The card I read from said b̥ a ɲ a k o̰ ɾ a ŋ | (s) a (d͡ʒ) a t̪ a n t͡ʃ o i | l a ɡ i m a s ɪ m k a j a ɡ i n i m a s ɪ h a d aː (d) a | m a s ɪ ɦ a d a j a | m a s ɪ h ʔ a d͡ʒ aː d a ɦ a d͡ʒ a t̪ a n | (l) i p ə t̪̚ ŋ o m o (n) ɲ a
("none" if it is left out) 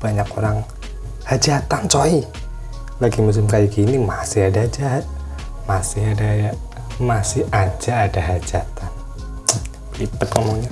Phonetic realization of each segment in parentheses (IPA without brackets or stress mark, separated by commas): h, d͡ʒ, d͡ʒ, l, ŋ